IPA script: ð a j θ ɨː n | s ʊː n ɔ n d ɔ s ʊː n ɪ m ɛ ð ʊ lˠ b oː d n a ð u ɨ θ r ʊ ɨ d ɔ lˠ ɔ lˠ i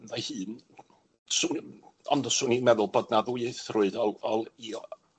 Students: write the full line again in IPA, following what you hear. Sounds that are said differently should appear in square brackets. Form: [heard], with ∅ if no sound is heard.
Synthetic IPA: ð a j [h] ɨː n | s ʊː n ɔ n d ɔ s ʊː n [i] m ɛ ð ʊ lˠ b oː d n a ð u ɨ θ r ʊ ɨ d ɔ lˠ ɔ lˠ i